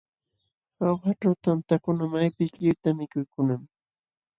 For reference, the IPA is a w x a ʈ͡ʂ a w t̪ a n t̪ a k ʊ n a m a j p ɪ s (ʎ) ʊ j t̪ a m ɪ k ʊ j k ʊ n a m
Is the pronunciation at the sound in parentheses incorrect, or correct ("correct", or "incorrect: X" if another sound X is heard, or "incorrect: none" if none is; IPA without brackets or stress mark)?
correct